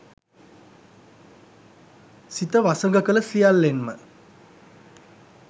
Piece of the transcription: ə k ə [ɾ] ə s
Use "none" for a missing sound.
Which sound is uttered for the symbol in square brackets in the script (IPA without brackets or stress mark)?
l